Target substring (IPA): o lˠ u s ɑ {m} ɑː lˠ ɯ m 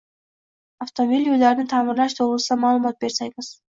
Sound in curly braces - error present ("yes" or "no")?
no